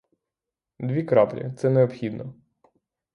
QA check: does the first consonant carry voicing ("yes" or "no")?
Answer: yes